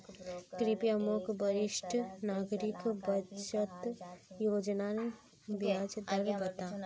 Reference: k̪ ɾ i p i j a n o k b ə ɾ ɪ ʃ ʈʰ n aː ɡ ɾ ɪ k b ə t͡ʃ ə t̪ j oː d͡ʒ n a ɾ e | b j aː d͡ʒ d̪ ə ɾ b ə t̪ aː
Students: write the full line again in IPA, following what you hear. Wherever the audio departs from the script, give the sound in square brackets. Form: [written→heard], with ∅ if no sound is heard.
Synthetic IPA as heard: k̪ ɾ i p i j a [n→m] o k b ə ɾ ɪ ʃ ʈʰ n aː ɡ ɾ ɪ k b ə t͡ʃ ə t̪ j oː d͡ʒ n a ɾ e | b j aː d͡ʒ d̪ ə ɾ b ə t̪ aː